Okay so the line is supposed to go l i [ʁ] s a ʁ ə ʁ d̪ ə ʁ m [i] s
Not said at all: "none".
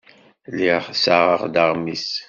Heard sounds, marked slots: ʁ, i

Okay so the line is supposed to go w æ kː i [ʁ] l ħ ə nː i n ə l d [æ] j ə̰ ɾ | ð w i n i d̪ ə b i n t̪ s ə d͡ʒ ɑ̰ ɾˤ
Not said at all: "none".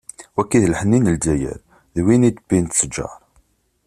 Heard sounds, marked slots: ð, æ

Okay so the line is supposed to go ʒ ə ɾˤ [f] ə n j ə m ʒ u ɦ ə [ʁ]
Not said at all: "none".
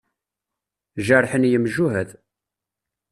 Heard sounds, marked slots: ħ, ð

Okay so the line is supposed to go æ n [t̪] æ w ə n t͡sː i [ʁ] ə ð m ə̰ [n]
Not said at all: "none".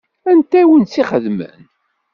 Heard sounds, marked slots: t̪, χ, n

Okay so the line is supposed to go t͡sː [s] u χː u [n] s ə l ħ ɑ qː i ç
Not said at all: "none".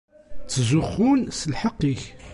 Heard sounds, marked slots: z, n

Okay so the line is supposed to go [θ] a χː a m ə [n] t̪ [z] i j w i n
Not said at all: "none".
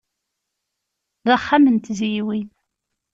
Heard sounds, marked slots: ð, n, z

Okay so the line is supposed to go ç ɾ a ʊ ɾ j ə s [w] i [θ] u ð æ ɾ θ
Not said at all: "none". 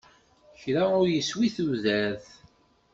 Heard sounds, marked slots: w, θ

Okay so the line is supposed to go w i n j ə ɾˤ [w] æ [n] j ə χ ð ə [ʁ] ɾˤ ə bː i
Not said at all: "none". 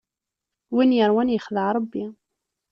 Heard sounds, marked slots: w, n, ʕ

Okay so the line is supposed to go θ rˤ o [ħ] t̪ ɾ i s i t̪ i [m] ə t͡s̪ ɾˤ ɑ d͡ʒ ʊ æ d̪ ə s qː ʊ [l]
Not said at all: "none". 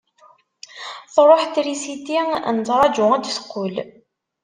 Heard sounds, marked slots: ħ, n, l

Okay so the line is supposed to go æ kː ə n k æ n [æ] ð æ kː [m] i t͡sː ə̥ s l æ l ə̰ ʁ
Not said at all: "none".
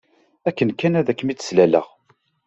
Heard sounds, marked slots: æ, m

